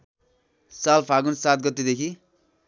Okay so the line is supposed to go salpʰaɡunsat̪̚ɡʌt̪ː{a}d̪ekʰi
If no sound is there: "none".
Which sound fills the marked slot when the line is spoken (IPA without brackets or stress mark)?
e